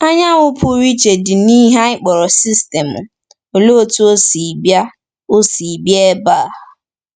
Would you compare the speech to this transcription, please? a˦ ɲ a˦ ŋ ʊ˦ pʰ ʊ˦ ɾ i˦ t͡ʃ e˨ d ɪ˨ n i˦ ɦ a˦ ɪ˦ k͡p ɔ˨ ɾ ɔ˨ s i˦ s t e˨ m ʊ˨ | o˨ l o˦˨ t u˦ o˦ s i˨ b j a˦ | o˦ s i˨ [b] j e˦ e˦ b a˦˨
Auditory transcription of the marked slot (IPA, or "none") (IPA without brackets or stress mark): b